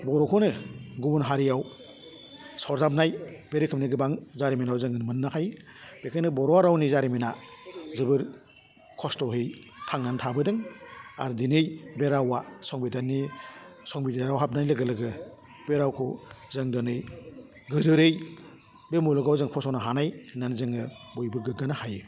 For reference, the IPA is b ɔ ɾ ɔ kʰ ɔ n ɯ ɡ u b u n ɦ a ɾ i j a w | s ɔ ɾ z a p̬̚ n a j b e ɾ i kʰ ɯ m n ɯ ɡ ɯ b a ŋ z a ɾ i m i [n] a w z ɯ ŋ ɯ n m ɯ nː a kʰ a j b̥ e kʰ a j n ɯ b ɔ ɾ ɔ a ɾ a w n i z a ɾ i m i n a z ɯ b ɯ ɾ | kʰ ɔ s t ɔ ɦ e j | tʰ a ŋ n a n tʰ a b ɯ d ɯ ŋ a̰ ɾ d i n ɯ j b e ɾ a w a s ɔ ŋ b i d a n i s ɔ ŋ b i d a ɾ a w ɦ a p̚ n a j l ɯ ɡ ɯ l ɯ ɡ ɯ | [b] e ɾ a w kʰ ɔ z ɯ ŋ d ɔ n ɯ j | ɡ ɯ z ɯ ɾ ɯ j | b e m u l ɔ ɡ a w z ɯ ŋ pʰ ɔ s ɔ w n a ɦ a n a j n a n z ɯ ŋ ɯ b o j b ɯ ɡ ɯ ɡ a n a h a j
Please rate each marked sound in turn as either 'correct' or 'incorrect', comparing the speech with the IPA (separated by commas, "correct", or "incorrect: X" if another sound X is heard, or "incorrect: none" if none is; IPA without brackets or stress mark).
correct, correct